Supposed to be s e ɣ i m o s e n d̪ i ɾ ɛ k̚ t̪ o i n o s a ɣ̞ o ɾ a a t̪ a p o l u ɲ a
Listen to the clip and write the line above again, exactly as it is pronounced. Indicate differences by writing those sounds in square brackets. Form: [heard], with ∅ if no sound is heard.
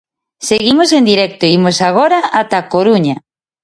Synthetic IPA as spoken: s e ɣ i m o s e n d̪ i ɾ ɛ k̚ t̪ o i [m] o s a ɣ̞ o ɾ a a t̪ a [k] o [ɾ] u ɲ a

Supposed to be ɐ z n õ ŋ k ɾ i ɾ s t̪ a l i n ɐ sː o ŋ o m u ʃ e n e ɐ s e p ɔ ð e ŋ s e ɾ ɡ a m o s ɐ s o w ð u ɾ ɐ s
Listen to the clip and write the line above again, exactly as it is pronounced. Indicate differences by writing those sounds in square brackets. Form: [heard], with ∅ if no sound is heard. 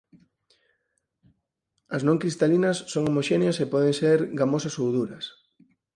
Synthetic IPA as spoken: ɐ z n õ ŋ k ɾ i [∅] s t̪ a l i n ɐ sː o ŋ o m [o] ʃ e n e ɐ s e p ɔ ð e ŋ s e ɾ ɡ a m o s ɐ s o w ð u ɾ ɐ s

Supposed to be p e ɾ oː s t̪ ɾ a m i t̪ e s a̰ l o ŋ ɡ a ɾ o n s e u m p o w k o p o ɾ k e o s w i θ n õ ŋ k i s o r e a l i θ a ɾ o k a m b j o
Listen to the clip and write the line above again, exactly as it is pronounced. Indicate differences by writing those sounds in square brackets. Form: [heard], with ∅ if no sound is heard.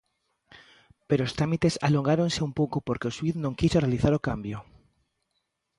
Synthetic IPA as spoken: p e ɾ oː s t̪ ɾ a m i t̪ e s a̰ l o ŋ ɡ a ɾ o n s e u m p o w k o p o ɾ k e o s w i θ n õ ŋ k i s o r e a l i θ a ɾ o k a m b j o

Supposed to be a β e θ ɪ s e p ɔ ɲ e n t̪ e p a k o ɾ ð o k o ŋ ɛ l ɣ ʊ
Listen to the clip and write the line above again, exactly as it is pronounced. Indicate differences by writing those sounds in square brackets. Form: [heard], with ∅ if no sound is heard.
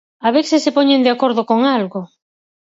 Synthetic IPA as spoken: a β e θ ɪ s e p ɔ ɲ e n [d̪] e [∅] a k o ɾ ð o k o ŋ [a] l ɣ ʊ

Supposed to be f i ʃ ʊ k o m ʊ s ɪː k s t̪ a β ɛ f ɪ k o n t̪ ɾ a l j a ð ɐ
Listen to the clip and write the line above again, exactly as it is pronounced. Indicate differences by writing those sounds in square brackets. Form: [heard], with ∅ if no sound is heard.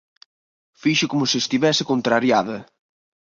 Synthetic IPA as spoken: f i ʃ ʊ k o m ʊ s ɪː [∅] s t̪ [i] β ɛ [s] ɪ k o n t̪ ɾ a [ɾ] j a ð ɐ

